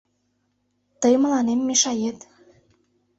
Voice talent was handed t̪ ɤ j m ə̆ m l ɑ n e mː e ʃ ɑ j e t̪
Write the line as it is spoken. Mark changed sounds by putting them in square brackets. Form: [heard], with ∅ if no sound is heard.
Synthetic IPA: t̪ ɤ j m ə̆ [∅] l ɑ n e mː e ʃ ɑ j e t̪